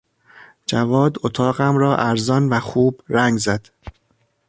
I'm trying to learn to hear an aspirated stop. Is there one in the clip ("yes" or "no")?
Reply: yes